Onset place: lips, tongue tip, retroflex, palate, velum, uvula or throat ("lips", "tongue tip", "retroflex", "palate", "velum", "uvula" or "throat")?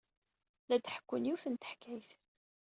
tongue tip